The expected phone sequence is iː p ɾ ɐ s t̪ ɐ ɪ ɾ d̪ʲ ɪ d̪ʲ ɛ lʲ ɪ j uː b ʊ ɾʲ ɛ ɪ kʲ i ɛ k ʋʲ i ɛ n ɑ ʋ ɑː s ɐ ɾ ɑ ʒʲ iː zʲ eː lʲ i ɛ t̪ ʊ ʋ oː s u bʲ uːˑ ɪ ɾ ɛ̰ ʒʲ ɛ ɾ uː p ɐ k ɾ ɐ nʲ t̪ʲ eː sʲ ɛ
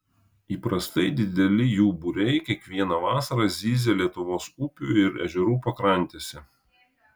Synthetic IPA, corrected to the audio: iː p ɾ ɐ s t̪ ɐ ɪ d̪ʲ ɪ d̪ʲ ɛ lʲ ɪ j uː b ʊ ɾʲ ɛ ɪ kʲ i ɛ k ʋʲ i ɛ n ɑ ʋ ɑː s ɐ ɾ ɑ zʲ iː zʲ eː lʲ i ɛ t̪ ʊ ʋ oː s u pʲ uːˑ ɪ ɾ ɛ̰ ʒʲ ɛ ɾ uː p ɐ k ɾ ɐ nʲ t̪ʲ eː sʲ ɛ